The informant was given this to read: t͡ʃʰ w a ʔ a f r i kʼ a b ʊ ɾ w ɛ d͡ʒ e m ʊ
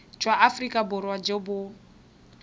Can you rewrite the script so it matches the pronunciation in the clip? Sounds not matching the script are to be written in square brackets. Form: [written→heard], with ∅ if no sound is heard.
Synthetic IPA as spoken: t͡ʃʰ w a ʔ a f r i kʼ a b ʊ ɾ w [ɛ→a] d͡ʒ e [m→b] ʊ